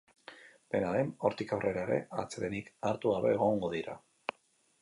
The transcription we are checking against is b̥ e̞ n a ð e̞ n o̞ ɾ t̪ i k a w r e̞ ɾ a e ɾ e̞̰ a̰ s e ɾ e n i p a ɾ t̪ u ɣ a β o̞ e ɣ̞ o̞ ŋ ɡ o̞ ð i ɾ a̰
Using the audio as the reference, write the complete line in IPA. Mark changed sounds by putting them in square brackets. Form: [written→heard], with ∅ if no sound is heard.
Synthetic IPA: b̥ e̞ n a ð e̞ n o̞ ɾ t̪ i k a w r e̞ ɾ a e ɾ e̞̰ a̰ [s→t͡s] e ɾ e n i [p→k] a ɾ t̪ u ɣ a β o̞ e ɣ̞ o̞ ŋ ɡ o̞ ð i ɾ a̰